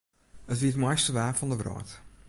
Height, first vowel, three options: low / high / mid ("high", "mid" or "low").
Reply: mid